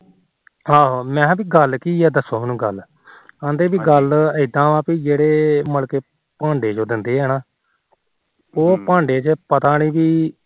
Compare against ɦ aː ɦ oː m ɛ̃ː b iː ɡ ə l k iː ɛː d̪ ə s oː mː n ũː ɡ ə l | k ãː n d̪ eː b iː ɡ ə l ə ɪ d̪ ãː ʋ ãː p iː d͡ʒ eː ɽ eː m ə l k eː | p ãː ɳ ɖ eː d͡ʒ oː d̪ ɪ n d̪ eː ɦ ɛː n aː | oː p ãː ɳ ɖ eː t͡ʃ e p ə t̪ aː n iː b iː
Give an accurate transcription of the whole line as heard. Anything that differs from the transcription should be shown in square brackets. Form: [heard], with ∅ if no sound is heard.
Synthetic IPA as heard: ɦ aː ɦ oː m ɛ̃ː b iː ɡ ə l k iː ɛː d̪ ə s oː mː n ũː ɡ ə l | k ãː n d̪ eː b iː ɡ ə l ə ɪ d̪ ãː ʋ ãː p iː d͡ʒ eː ɽ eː m ə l k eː | p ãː ɳ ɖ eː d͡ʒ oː d̪ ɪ n d̪ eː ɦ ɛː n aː | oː p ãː ɳ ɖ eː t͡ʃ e p ə t̪ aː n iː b iː

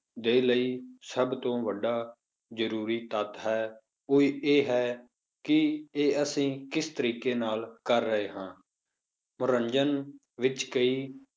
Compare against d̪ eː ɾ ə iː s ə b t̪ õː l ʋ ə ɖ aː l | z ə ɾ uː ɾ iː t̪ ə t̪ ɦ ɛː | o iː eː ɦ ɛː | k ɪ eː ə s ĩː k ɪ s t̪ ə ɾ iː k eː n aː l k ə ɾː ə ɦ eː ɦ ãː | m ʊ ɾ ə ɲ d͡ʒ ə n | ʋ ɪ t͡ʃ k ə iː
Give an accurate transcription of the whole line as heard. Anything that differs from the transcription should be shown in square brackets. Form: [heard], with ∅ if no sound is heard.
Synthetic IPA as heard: d̪ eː [l] ə iː s ə b t̪ õː [∅] ʋ ə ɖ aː [∅] | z ə ɾ uː ɾ iː t̪ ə t̪ ɦ ɛː | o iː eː ɦ ɛː | k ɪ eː ə s ĩː k ɪ s t̪ ə ɾ iː k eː n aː l k ə ɾː ə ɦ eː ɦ ãː | m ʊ ɾ ə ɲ d͡ʒ ə n | ʋ ɪ t͡ʃ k ə iː

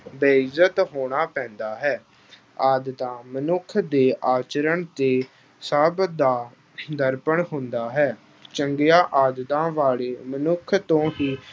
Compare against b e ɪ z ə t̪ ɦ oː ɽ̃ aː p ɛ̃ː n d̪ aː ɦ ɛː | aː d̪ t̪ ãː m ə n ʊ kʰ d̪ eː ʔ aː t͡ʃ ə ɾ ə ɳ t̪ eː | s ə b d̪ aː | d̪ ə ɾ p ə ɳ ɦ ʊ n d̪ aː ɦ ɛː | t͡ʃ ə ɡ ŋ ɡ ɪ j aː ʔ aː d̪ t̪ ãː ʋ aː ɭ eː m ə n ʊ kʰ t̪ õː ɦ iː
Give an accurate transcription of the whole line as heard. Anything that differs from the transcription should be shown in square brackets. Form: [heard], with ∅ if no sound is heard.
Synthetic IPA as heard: b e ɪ z ə t̪ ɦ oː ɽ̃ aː p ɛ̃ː n d̪ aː ɦ ɛː | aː d̪ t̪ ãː m ə n ʊ kʰ d̪ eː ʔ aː t͡ʃ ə ɾ ə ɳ t̪ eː | s ə b d̪ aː | d̪ ə ɾ p ə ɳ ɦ ʊ n d̪ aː ɦ ɛː | t͡ʃ ə [∅] ŋ ɡ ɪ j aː ʔ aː d̪ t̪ ãː ʋ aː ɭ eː m ə n ʊ kʰ t̪ õː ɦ iː

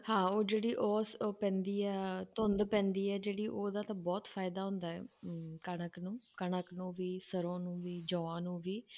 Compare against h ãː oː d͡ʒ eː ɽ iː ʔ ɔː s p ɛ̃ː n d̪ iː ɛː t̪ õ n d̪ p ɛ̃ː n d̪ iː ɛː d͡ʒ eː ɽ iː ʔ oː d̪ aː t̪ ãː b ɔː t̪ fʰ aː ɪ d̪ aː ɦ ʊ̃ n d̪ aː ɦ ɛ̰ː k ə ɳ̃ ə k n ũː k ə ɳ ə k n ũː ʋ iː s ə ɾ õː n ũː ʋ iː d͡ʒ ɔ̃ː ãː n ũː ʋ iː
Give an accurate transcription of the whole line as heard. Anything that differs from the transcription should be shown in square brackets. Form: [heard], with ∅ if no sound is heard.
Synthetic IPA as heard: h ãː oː d͡ʒ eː ɽ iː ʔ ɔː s p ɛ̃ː n d̪ iː ɛː t̪ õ n d̪ p ɛ̃ː n d̪ iː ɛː d͡ʒ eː ɽ iː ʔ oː d̪ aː t̪ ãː b ɔː t̪ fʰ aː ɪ d̪ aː ɦ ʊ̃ n d̪ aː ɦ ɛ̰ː k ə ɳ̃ ə k n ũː k ə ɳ ə k n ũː ʋ iː s ə ɾ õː n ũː ʋ iː d͡ʒ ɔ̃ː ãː n ũː ʋ iː

